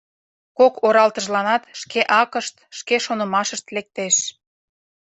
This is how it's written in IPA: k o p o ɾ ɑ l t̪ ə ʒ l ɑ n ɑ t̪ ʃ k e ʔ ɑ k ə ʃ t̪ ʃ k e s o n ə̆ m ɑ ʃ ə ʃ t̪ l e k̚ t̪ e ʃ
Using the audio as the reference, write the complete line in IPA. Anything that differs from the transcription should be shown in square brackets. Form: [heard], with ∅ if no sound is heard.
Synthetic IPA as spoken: k o [k] o ɾ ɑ l t̪ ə ʒ l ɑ n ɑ t̪ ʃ k e ʔ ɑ k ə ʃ t̪ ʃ k e [ʃ] o n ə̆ m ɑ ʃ ə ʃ t̪ l e k̚ t̪ e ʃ